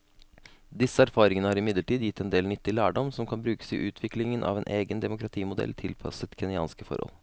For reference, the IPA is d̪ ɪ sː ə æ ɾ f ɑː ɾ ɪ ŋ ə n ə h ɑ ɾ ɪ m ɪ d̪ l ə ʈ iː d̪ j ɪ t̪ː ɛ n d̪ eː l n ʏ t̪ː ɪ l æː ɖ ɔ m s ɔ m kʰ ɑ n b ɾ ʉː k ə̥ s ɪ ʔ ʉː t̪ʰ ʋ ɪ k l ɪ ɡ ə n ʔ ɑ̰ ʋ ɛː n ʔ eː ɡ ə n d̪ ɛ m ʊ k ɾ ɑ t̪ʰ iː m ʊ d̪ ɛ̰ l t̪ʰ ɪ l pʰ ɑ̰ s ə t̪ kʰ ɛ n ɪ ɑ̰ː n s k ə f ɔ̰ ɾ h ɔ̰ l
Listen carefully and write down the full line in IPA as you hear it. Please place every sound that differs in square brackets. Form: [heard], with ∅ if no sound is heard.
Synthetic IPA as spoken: d̪ ɪ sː ə æ ɾ f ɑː ɾ ɪ ŋ ə n ə h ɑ ɾ ɪ m ɪ d̪ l ə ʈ iː d̪ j ɪ t̪ː ɛ n d̪ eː l n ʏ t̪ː ɪ l æː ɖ ɔ m s ɔ m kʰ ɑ n b ɾ ʉː k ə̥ s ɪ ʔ ʉː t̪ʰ ʋ ɪ k l ɪ [ŋ] ə n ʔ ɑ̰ ʋ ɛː n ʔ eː ɡ ə n d̪ ɛ m ʊ k ɾ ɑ t̪ʰ iː m ʊ d̪ ɛ̰ l t̪ʰ ɪ l pʰ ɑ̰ s ə t̪ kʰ ɛ n ɪ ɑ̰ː n s k ə f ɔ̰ ɾ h ɔ̰ l